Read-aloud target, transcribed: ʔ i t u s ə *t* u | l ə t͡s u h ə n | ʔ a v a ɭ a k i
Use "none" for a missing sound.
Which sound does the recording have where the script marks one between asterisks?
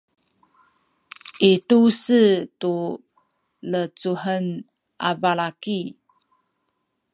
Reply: t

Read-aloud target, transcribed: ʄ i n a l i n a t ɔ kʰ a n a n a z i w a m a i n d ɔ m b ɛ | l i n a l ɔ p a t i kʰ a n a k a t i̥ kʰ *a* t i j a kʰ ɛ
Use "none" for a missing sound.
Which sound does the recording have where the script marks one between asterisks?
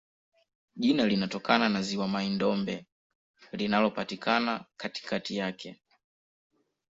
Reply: a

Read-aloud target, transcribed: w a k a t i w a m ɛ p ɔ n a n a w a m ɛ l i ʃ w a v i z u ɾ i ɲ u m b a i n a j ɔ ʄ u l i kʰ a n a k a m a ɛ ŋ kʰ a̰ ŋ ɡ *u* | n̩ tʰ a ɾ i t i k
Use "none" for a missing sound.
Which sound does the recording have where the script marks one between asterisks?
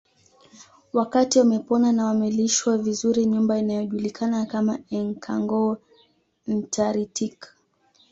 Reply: ɔ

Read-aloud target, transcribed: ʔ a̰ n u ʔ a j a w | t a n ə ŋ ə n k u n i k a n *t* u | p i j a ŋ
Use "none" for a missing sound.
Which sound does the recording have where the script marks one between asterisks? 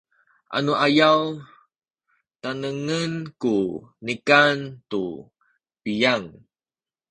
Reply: t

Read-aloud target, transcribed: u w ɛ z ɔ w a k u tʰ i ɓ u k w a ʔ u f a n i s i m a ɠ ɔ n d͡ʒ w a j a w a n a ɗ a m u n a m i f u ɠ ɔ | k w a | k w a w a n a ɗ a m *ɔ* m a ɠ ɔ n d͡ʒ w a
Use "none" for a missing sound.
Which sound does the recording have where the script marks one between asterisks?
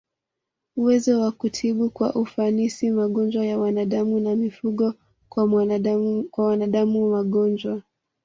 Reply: u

